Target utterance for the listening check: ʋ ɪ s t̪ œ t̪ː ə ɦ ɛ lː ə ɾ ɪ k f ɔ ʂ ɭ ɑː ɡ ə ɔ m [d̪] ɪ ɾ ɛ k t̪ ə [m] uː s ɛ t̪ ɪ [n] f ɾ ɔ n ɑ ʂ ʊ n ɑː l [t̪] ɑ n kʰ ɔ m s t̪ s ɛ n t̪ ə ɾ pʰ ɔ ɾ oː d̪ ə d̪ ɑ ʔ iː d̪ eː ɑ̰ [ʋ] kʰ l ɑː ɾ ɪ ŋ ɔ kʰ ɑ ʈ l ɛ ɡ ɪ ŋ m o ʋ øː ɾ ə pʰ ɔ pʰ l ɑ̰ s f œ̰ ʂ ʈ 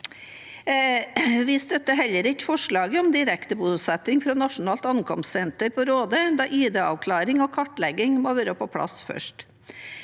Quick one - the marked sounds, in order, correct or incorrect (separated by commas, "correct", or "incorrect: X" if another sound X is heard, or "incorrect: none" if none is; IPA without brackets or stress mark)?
correct, incorrect: b, incorrect: ŋ, correct, correct